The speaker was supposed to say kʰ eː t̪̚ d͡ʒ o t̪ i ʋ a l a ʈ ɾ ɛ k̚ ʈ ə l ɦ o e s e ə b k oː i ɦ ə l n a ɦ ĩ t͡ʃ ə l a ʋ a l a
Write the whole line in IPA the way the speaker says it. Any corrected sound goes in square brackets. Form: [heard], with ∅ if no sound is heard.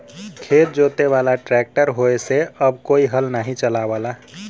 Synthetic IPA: kʰ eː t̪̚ d͡ʒ o t̪ [e] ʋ a l a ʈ ɾ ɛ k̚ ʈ ə [ɾ] ɦ o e s e ə b k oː i ɦ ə l n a ɦ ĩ t͡ʃ ə l a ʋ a l a